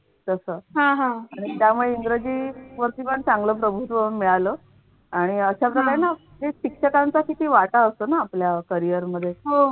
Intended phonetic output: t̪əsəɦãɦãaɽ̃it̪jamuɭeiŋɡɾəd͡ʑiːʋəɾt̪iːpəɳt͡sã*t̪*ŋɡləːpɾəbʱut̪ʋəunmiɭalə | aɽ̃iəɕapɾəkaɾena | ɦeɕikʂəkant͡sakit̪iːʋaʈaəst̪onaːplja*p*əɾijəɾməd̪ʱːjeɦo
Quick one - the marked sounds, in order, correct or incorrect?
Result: incorrect: none, incorrect: k

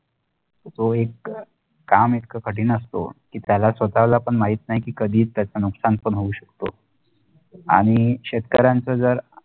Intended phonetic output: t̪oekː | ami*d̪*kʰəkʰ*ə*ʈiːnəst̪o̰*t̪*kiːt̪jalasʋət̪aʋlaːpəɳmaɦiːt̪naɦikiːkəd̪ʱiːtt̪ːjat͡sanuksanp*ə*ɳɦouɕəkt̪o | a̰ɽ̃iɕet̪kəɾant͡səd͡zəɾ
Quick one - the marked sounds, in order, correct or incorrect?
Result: incorrect: t̪, correct, incorrect: none, correct

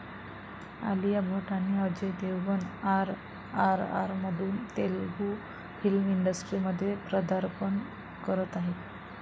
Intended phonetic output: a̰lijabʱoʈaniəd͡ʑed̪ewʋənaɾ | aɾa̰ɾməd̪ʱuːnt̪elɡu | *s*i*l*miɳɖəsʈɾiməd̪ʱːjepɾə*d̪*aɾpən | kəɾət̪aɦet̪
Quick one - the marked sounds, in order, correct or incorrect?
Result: incorrect: f, correct, correct

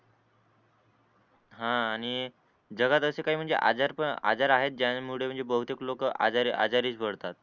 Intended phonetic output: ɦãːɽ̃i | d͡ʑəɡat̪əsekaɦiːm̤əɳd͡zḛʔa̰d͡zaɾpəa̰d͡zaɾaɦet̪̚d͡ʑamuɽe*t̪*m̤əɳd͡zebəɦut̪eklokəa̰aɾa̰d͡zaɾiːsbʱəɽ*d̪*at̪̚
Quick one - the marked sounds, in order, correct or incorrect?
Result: incorrect: none, incorrect: t̪

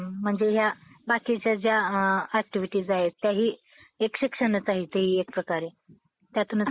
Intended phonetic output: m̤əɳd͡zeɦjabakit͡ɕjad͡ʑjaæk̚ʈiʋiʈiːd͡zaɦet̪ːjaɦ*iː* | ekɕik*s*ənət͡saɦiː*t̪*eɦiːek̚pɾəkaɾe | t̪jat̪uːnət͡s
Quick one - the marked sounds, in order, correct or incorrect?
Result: correct, incorrect: ʂ, correct

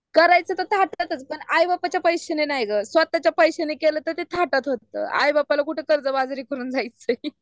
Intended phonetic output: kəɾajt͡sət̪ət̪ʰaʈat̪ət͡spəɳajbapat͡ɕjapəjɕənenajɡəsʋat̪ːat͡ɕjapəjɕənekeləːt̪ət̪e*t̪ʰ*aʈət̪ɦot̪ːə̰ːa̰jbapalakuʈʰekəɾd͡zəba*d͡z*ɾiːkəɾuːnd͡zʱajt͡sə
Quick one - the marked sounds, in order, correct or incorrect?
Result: correct, correct

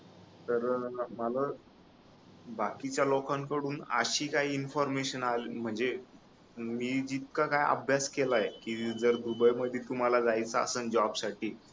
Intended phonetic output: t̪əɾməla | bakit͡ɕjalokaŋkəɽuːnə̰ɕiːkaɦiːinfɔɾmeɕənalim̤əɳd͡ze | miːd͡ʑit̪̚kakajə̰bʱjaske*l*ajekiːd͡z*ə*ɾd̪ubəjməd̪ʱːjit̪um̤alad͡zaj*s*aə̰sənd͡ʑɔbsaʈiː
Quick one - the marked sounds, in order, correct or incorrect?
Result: correct, correct, incorrect: t͡s

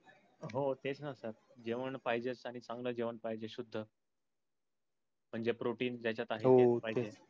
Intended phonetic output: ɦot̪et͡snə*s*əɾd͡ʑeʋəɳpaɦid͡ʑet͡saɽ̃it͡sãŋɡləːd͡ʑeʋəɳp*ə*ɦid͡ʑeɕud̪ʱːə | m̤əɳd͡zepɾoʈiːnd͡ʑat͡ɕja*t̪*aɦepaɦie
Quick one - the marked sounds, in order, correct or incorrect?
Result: correct, incorrect: a, correct

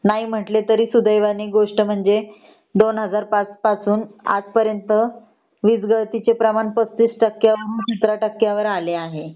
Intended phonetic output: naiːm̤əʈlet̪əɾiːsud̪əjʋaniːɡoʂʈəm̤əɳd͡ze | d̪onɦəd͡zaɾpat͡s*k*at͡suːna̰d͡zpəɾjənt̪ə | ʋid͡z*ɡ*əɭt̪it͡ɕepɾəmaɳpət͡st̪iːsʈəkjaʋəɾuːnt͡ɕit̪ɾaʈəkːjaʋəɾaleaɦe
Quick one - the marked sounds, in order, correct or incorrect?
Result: incorrect: p, correct

